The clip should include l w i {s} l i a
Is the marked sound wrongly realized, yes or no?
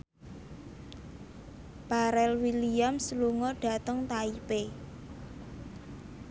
yes